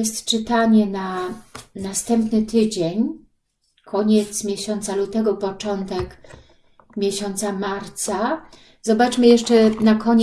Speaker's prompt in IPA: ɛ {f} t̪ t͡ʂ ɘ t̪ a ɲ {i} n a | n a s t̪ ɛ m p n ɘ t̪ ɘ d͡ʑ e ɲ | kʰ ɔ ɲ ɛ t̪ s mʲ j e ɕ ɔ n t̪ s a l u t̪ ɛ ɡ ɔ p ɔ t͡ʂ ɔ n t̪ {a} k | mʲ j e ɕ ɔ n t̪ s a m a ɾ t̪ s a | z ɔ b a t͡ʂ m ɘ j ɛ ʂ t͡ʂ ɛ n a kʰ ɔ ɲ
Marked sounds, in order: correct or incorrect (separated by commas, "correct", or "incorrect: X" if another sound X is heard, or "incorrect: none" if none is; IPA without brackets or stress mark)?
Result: incorrect: s, incorrect: ɛ, incorrect: ɛ